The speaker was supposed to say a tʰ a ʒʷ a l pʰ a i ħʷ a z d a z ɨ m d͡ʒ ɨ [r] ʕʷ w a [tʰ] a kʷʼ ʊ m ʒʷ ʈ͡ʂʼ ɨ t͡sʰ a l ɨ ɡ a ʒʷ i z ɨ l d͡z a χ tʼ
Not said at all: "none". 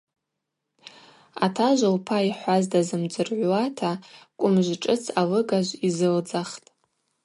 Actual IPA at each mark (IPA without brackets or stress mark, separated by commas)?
r, tʰ